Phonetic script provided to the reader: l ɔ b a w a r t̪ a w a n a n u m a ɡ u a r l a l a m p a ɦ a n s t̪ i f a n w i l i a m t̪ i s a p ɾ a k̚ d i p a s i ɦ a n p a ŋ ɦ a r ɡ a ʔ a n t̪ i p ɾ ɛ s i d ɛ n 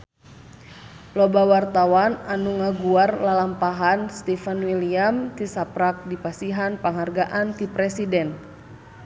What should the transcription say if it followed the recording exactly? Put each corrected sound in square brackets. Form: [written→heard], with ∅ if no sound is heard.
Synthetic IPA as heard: l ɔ b a w a r t̪ a w a n a n u [m→ŋ] a ɡ u a r l a l a m p a ɦ a n s t̪ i f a n w i l i a m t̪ i s a p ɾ a k̚ d i p a s i ɦ a n p a ŋ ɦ a r ɡ a ʔ a n t̪ i p ɾ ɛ s i d ɛ n